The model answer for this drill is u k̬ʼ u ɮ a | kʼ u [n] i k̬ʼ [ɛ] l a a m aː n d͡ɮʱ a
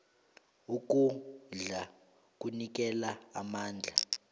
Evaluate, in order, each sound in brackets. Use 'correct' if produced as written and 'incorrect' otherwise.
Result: correct, correct

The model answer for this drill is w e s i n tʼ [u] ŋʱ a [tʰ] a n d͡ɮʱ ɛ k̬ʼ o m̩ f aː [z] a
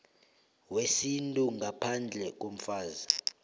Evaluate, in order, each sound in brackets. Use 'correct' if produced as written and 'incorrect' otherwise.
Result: correct, incorrect: pʰ, correct

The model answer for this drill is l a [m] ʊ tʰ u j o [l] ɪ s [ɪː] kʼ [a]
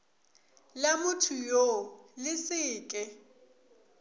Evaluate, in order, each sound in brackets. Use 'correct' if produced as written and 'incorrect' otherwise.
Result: correct, correct, correct, incorrect: ɛ

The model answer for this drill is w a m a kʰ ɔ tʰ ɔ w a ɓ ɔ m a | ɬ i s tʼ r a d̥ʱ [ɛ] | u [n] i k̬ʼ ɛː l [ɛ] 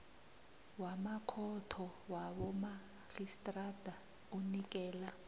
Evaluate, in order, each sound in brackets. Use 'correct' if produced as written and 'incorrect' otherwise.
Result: incorrect: a, correct, incorrect: a

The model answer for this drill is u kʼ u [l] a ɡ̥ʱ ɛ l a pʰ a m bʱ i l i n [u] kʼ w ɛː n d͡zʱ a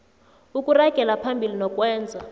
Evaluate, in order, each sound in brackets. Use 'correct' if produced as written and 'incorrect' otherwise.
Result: incorrect: r, incorrect: ɔ

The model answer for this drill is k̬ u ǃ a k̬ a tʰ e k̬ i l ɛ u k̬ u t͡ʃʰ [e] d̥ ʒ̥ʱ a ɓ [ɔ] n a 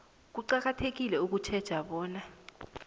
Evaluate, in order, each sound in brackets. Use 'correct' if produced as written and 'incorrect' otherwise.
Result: incorrect: ɛ, incorrect: ɔː

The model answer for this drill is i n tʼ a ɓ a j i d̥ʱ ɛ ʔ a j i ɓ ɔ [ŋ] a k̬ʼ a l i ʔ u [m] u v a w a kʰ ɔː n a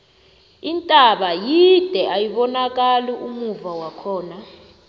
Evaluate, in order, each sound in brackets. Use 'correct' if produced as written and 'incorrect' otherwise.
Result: incorrect: n, correct

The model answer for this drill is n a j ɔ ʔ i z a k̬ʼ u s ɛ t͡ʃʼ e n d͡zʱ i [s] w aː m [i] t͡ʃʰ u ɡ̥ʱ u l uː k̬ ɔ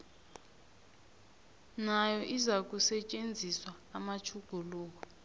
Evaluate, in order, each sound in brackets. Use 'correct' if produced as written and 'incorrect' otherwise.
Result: correct, incorrect: a

